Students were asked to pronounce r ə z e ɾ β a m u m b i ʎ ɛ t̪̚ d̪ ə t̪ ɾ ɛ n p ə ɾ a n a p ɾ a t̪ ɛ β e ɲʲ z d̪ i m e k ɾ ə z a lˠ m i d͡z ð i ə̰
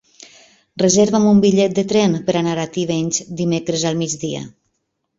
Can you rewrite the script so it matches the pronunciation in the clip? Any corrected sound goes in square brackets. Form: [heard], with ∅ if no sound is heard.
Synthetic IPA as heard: r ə z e ɾ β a m u m b i ʎ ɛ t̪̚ d̪ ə t̪ ɾ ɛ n p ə ɾ a n a [∅] ɾ a t̪ [i] β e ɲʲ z d̪ i m e k ɾ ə z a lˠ m i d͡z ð i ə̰